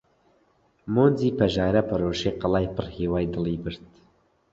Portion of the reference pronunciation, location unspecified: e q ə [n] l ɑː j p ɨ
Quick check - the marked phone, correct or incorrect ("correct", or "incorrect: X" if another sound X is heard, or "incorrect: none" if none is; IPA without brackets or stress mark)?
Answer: incorrect: none